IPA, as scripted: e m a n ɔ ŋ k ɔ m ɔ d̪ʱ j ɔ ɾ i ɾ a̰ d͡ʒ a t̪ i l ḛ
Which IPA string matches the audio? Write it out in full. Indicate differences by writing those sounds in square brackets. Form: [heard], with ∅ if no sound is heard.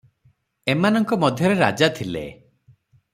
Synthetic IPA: e m a n ɔ ŋ k ɔ m ɔ d̪ʱ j ɔ ɾ [e] ɾ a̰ d͡ʒ a [t̪ʰ] i l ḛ